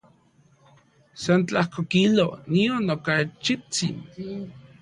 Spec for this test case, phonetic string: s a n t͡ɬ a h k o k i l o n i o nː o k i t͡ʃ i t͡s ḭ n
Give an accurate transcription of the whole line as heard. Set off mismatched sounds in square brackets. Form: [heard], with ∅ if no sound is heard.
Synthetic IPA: s a n t͡ɬ a h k o k i l o n i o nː o k [a] t͡ʃ i t͡s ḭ n